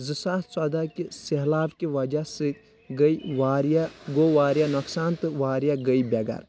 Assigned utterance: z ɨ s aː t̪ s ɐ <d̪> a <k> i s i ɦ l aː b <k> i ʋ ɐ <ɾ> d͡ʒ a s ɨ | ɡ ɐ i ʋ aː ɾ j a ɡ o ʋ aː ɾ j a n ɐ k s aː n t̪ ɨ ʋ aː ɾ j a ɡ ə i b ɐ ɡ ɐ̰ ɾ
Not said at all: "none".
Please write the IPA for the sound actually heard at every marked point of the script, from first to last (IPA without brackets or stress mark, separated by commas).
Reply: d̪, k, k, none